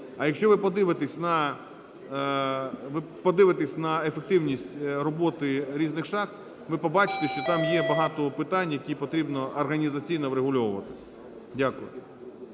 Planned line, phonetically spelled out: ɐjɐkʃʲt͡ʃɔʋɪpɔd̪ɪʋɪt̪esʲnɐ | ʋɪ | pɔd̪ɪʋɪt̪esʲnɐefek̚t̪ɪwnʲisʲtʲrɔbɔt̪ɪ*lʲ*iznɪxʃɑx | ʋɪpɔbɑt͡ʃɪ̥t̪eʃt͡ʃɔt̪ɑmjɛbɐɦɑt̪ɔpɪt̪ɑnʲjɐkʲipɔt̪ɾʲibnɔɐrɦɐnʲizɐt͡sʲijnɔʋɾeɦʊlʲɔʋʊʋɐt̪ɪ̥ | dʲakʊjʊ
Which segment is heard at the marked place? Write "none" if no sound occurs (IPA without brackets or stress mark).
ɾʲ